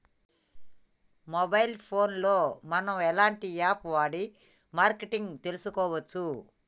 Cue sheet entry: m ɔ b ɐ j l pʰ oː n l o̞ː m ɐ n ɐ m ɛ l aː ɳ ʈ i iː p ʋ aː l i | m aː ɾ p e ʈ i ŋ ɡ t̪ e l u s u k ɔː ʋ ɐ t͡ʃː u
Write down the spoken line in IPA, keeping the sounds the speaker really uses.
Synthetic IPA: m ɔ b ɐ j l pʰ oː n l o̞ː m ɐ n ɐ m ɛ l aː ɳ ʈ i aː p ʋ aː ɽ i | m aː ɾ k e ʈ i ŋ ɡ t̪ e l u s u k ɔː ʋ ɐ t͡ʃː u

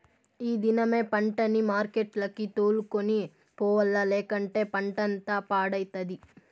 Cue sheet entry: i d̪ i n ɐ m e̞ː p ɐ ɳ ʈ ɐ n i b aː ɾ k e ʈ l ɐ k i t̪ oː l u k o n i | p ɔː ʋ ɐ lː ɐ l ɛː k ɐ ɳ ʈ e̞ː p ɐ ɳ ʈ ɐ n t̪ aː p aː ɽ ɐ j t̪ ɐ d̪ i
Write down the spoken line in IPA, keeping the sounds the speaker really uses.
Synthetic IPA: iː d̪ i n ɐ m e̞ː p ɐ ɳ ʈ ɐ n i m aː ɾ k e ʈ l ɐ k i t̪ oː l u k o n i | p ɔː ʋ ɐ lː ɐ l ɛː k ɐ ɳ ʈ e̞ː p ɐ ɳ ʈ ɐ n t̪ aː p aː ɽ ɐ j t̪ ɐ d̪ i

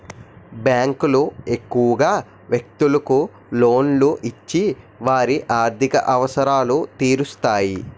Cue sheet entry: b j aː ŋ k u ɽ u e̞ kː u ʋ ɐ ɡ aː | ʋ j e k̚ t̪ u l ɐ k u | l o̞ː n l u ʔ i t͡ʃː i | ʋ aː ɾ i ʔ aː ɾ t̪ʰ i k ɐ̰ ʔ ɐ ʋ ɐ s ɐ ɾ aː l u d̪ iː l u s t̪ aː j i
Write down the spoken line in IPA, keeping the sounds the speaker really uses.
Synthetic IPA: b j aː ŋ k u l u e̞ kː u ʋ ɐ ɡ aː | ʋ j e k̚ t̪ u l ɐ k u | l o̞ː n l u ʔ i t͡ʃː i | ʋ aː ɾ i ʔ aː ɾ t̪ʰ i k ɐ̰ ʔ ɐ ʋ ɐ s ɐ ɾ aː l u t̪ iː ɾ u s t̪ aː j i

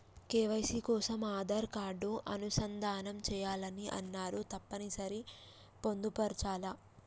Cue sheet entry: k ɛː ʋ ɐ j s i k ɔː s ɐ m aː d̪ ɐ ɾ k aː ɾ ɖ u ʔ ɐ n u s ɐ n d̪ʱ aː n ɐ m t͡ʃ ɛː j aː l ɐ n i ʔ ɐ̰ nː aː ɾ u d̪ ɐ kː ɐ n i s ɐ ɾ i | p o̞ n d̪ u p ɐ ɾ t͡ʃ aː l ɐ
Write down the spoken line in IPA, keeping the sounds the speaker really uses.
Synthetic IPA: k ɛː ʋ ɐ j s i k ɔː s ɐ m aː d̪ ɐ ɾ k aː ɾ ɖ u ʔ ɐ n u s ɐ n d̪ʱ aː n ɐ m t͡ʃ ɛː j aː l ɐ n i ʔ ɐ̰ nː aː ɾ u t̪ ɐ pː ɐ n i s ɐ ɾ i | p o̞ n d̪ u p ɐ ɾ t͡ʃ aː l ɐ

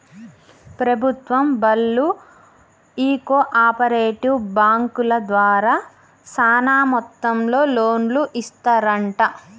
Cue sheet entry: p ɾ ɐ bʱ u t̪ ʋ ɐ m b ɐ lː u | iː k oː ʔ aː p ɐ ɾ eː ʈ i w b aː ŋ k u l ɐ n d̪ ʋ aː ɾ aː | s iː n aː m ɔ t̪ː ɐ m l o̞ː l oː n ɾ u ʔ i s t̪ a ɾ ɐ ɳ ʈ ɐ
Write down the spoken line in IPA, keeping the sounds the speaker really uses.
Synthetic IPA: p ɾ ɐ bʱ u t̪ ʋ ɐ m b ɐ lː u | iː k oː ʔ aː p ɐ ɾ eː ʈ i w b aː ŋ k u l ɐ d̪ ʋ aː ɾ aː | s aː n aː m ɔ t̪ː ɐ m l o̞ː l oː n l u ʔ i s t̪ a ɾ ɐ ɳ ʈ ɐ

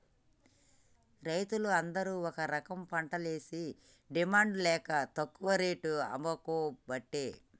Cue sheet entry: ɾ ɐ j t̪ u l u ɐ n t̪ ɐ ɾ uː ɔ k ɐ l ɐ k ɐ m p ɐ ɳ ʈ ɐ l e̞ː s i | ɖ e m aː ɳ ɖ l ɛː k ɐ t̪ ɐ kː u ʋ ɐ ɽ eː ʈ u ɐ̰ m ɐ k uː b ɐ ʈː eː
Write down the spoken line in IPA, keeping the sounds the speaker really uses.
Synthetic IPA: ɾ ɐ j t̪ u l u ɐ n d̪ ɐ ɾ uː ɔ k ɐ ɾ ɐ k ɐ m p ɐ ɳ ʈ ɐ l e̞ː s i | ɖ i m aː ɳ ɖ l ɛː k ɐ t̪ ɐ kː u ʋ ɐ ɾ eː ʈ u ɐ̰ m ɐ k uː b ɐ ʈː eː

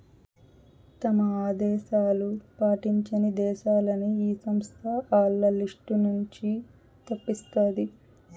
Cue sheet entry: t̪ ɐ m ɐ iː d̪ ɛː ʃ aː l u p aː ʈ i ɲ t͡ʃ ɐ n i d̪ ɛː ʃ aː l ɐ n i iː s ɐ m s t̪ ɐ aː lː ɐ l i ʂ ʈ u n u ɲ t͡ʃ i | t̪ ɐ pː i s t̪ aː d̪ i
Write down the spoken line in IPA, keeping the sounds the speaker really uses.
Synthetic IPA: t̪ ɐ m ɐ aː d̪ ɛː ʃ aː l u p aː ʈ i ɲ t͡ʃ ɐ n i d̪ ɛː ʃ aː l ɐ n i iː s ɐ m s t̪ʰ ɐ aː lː ɐ l i ʂ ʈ u n u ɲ t͡ʃ i | t̪ ɐ pː i s t̪ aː d̪ i

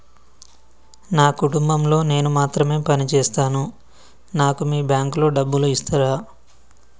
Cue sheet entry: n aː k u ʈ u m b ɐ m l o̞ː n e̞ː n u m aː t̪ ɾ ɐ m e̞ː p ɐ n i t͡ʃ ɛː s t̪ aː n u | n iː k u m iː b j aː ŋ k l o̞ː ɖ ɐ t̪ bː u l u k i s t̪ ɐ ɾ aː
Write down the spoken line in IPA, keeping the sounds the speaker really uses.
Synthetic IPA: n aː k u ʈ u m b ɐ m l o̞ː n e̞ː n u m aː t̪ ɾ ɐ m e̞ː p ɐ n i t͡ʃ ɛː s t̪ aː n u | n aː k u m iː b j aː ŋ k l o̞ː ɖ ɐ bː u l u i s t̪ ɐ ɾ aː

